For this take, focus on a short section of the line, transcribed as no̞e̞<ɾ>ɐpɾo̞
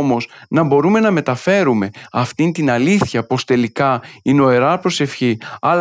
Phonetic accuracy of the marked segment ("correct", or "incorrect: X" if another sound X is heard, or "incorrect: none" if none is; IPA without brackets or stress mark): correct